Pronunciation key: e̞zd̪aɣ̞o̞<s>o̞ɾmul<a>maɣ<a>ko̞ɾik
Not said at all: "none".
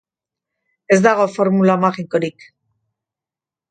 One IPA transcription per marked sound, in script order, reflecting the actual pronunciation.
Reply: f, a, i

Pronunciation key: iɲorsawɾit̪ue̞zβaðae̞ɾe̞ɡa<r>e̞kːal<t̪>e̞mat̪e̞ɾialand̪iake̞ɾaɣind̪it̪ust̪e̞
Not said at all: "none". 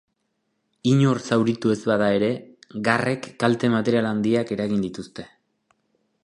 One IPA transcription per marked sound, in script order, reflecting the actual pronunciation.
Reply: r, t̪

